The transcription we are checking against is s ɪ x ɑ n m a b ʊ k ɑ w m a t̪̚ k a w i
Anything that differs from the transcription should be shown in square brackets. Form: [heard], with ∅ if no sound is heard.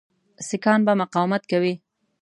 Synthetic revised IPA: s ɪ [k] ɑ n [b] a [m] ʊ [q] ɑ w m a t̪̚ k a w i